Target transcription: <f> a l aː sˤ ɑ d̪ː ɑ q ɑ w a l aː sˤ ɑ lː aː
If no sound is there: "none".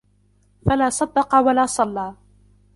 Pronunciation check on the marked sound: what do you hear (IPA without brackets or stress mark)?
f